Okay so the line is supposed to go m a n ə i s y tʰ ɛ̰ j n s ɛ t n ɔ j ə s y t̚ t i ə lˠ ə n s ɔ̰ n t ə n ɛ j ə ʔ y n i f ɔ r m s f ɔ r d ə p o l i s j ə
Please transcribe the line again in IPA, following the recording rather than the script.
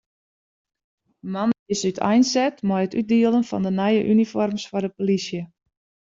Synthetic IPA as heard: m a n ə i s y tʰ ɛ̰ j n s ɛ t m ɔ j ə t y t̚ d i ə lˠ ə n f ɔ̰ n d ə n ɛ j ə ʔ y n i f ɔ r m s f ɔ r d ə p o l i s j ə